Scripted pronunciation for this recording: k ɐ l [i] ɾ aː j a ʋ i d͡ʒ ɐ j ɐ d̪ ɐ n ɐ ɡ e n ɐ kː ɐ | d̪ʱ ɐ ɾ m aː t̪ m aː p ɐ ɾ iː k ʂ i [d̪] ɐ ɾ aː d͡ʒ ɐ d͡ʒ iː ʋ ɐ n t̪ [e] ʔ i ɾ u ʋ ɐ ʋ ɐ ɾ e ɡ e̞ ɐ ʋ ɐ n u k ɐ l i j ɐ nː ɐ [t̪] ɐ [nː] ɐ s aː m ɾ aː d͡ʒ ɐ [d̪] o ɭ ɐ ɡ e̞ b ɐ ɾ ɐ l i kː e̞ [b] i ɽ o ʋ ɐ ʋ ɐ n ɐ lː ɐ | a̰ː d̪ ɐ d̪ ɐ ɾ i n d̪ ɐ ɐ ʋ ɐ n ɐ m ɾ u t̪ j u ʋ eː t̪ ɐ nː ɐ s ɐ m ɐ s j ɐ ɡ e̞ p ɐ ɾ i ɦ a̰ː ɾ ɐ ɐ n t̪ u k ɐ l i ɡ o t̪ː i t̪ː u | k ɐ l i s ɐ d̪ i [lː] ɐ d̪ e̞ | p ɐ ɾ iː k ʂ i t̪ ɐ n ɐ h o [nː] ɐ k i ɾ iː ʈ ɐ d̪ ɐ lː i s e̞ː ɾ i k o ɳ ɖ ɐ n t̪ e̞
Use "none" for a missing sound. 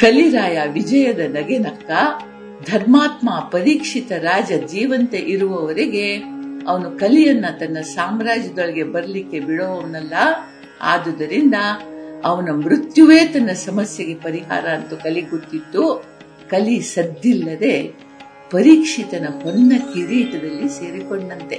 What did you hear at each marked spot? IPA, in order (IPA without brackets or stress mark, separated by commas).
i, t̪, e, t̪, nː, d̪, b, lː, nː